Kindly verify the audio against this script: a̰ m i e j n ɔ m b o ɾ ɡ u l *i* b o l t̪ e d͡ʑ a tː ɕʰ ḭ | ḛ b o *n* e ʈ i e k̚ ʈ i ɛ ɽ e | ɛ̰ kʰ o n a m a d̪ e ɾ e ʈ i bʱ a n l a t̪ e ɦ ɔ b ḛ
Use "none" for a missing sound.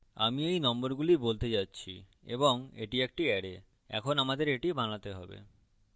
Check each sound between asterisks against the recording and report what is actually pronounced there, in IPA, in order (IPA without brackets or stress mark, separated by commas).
i, ŋ